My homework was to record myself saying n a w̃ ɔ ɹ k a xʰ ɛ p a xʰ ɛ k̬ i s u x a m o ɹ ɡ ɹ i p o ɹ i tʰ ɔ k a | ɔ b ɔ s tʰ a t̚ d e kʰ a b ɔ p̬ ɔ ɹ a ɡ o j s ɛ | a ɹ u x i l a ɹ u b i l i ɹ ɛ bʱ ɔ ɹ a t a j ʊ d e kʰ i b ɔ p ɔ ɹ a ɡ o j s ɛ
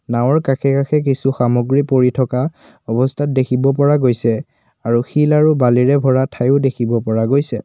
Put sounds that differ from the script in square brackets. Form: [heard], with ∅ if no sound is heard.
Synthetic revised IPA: n a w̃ ɔ ɹ k a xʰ ɛ [k] a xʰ ɛ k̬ i s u x a m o [∅] ɡ ɹ i p o ɹ i tʰ ɔ k a | ɔ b ɔ s tʰ a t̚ d e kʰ [i] b ɔ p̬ ɔ ɹ a ɡ o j s ɛ | a ɹ u x i l a ɹ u b [a] l i ɹ ɛ bʱ ɔ ɹ a [tʰ] a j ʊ d e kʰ i b ɔ p ɔ ɹ a ɡ o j s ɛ